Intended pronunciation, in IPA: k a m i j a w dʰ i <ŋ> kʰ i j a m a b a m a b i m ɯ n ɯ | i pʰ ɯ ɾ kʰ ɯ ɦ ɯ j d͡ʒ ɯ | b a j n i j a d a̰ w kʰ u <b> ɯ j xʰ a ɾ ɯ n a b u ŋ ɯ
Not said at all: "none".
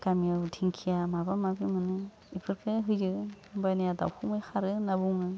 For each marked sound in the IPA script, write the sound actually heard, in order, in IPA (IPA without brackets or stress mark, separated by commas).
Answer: ŋ, m